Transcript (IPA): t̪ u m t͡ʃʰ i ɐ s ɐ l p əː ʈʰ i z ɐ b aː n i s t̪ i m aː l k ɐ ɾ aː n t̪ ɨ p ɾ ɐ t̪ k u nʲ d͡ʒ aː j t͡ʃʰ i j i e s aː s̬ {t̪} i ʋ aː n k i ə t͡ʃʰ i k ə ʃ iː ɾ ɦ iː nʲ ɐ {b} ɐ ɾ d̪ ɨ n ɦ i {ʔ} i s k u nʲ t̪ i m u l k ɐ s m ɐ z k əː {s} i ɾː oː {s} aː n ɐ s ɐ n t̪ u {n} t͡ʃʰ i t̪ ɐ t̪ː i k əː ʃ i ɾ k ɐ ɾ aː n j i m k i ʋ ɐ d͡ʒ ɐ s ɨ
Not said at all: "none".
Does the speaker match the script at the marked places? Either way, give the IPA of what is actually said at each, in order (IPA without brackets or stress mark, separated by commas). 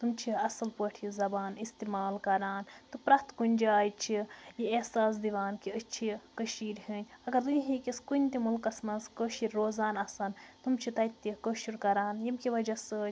d̪, ɡ, k, ʃ, z, m